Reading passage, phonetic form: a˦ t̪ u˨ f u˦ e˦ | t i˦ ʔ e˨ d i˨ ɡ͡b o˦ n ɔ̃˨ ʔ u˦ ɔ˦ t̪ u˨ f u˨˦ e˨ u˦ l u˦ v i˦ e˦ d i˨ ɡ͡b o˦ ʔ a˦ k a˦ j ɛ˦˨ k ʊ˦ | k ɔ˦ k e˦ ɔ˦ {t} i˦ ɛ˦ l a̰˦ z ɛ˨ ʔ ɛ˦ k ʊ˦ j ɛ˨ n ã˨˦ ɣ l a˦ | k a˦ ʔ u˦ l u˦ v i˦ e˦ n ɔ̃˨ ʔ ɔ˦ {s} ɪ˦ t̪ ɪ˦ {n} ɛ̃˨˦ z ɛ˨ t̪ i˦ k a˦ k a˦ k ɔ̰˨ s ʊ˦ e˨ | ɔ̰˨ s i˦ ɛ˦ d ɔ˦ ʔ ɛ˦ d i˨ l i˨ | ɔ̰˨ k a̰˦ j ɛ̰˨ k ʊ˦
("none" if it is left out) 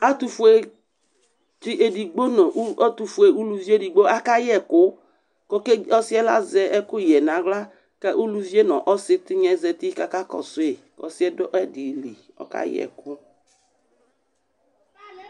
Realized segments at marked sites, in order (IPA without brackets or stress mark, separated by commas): s, s, ɲ